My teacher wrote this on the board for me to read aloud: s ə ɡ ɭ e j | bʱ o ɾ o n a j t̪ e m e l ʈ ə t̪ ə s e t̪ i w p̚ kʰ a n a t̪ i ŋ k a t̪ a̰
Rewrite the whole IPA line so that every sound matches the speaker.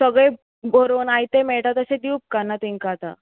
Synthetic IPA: s ə ɡ ɭ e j | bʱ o ɾ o n a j t̪ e m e ɭ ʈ a t̪ ə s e d̪ i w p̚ k a n a t̪ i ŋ k a t̪ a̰